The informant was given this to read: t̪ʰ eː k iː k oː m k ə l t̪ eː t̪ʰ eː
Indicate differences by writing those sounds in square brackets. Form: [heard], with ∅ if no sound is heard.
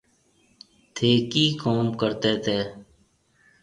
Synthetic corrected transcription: t̪ʰ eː k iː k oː m k ə [ɾ] t̪ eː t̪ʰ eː